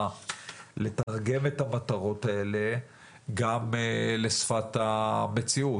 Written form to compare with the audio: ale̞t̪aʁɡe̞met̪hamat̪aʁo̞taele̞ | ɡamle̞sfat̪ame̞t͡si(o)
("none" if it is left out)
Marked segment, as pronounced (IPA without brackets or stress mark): u